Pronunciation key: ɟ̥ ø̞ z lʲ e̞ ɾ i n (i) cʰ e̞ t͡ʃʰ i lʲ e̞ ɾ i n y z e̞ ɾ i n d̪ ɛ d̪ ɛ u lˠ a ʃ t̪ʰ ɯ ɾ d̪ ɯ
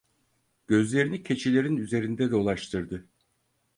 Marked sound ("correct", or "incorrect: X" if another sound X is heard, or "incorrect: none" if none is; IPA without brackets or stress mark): correct